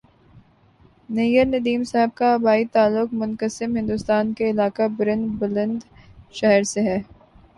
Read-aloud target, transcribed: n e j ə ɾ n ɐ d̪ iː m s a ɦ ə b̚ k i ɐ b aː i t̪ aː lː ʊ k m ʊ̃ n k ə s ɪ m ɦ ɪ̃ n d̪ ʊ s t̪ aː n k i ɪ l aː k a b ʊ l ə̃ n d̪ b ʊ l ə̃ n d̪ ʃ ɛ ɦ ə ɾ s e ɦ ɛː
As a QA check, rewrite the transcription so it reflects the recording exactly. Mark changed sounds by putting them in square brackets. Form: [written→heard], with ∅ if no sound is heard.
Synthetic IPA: n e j ə ɾ n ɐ d̪ iː m s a ɦ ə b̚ k [i→a] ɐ b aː i t̪ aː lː ʊ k m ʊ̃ n k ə s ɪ m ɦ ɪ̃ n d̪ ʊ s t̪ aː n k [i→e] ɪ l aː k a b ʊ [l→ɾ] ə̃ n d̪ b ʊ l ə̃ n d̪ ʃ ɛ ɦ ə ɾ s e ɦ ɛː